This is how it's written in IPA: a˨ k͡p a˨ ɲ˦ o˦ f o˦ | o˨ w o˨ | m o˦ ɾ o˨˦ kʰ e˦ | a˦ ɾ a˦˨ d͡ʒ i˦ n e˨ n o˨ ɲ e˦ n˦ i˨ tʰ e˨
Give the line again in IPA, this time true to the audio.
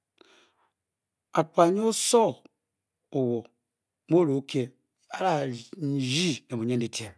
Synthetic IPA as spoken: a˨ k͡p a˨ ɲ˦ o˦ s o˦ | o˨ w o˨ | m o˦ ɾ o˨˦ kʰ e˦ | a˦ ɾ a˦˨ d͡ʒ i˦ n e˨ m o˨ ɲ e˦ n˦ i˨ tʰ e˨